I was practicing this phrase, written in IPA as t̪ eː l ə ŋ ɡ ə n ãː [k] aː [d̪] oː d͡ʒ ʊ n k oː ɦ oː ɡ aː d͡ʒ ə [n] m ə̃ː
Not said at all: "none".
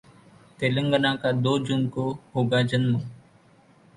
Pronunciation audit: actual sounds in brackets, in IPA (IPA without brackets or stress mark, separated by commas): k, d̪, n